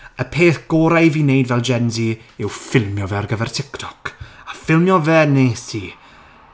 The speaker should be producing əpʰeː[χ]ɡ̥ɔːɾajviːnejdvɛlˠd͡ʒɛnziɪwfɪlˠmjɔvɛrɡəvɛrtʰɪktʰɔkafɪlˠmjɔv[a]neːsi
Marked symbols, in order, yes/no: no, no

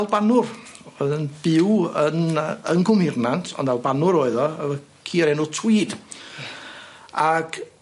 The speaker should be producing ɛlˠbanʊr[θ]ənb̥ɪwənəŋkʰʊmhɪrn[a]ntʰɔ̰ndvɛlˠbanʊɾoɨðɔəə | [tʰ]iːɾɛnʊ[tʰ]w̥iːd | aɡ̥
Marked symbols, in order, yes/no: no, yes, no, yes

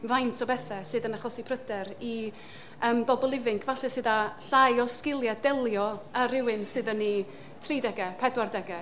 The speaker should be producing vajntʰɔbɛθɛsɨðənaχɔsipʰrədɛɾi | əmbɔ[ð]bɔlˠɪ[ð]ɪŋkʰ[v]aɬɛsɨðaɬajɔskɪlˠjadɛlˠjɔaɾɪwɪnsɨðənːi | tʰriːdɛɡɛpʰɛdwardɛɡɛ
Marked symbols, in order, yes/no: no, no, yes

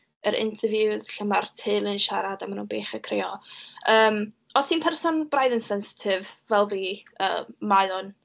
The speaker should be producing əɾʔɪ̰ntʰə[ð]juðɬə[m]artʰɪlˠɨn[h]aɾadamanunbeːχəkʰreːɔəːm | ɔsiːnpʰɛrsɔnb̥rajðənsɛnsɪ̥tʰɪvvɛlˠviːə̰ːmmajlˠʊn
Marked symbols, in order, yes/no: no, yes, no

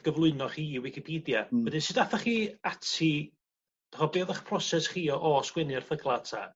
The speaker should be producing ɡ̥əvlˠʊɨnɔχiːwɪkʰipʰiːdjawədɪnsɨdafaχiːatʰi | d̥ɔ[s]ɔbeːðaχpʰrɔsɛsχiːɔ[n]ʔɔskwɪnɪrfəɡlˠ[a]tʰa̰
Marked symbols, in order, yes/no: no, no, yes

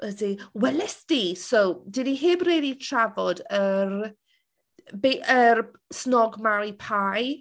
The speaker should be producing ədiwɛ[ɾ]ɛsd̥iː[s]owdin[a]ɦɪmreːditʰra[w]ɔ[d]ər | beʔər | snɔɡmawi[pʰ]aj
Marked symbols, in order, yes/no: no, yes, no, no, yes, yes

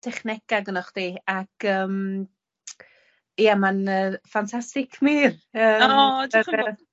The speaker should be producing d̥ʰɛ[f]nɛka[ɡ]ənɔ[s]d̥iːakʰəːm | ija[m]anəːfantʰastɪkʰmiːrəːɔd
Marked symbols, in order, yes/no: no, yes, no, yes

